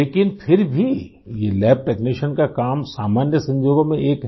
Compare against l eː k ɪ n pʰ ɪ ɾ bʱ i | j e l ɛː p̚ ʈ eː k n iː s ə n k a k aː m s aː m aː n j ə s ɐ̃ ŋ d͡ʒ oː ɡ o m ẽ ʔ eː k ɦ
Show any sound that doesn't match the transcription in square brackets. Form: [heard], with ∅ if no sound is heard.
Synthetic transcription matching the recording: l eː k ɪ n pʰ ɪ ɾ bʱ i | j e l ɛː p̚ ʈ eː k n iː [ʃ] ə n k a k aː m s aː m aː n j ə s ɐ̃ [ɲ] d͡ʒ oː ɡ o m ẽ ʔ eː k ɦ